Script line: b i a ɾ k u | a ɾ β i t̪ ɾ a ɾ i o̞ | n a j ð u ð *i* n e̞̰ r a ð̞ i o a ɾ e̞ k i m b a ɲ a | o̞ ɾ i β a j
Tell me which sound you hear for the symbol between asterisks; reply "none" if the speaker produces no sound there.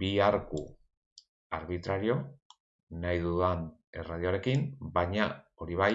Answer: a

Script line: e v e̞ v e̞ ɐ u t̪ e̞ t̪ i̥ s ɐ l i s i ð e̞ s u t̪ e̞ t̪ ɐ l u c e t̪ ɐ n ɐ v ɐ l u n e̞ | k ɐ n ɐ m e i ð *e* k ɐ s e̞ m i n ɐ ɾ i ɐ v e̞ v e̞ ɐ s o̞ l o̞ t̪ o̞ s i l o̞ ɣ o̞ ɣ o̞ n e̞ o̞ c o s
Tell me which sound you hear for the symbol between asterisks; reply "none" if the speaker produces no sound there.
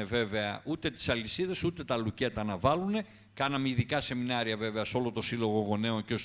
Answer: i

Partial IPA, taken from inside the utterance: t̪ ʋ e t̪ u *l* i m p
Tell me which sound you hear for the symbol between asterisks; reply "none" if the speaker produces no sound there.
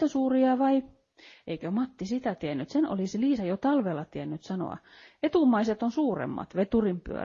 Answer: r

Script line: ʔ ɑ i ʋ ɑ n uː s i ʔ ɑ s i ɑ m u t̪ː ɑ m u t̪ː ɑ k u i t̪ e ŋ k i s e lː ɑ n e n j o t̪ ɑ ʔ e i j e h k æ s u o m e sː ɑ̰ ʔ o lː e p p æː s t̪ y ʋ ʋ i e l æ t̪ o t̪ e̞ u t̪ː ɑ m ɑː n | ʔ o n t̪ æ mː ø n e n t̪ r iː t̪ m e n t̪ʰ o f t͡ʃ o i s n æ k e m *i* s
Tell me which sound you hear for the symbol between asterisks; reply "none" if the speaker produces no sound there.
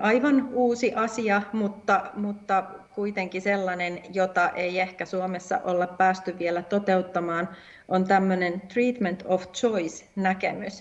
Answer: y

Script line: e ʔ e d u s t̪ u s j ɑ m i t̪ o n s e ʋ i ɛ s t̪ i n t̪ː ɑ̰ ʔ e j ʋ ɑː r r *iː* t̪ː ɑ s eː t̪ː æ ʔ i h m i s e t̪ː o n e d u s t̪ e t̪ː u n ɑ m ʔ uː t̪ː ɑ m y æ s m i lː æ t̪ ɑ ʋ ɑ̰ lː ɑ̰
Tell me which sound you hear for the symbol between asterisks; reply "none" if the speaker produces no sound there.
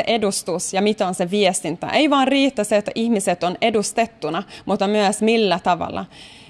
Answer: iː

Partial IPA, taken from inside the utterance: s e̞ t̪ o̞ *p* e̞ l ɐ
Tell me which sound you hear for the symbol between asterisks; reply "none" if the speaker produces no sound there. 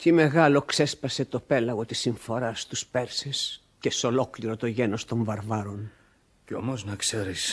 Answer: p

